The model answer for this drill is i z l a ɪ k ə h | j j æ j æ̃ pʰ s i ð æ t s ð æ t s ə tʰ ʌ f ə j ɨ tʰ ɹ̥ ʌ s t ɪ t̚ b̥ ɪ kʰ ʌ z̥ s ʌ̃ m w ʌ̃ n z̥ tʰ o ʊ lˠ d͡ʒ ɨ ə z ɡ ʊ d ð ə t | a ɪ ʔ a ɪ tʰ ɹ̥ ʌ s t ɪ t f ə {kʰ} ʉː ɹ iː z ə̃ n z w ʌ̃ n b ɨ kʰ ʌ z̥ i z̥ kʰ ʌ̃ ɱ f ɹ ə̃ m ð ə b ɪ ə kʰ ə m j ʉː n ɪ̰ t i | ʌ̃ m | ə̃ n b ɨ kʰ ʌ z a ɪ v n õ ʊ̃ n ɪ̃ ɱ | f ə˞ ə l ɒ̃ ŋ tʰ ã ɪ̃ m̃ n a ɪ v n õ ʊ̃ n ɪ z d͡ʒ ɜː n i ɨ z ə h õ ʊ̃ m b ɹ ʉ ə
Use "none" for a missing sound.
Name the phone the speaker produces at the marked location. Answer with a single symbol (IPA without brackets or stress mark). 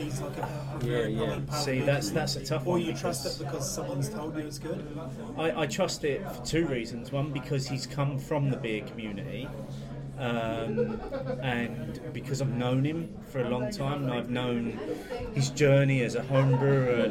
tʰ